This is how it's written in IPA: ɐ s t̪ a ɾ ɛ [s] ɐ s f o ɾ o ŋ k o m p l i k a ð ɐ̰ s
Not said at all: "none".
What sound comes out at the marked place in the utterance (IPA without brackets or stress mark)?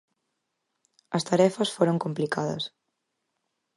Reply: f